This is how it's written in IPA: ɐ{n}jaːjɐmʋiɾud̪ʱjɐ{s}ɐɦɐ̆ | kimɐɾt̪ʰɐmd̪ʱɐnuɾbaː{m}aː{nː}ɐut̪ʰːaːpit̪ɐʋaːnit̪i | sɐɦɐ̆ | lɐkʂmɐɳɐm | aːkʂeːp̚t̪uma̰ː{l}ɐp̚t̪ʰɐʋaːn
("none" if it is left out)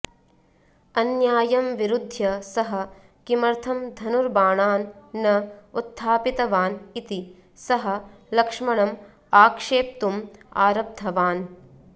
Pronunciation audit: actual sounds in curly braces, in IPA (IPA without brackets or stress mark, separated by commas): n, s, ɳ, nː, ɾ